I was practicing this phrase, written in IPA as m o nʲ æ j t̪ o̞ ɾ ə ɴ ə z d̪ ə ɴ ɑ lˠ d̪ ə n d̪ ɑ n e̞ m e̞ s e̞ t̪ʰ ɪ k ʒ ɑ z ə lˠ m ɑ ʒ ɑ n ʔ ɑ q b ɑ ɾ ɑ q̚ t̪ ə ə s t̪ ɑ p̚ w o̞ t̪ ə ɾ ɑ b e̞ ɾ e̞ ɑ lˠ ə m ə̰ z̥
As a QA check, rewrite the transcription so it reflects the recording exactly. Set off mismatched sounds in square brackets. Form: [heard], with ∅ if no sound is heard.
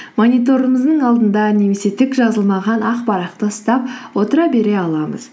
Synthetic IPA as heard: m o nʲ [i] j t̪ o̞ ɾ ə [m] ə z d̪ ə ɴ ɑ lˠ d̪ ə n d̪ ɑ n e̞ m e̞ s e̞ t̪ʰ ɪ k ʒ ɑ z ə lˠ m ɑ [ʁ] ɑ n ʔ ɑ q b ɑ ɾ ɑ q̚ t̪ ə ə s t̪ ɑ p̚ w o̞ t̪ ə ɾ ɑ b e̞ ɾ e̞ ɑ lˠ [ɑ] m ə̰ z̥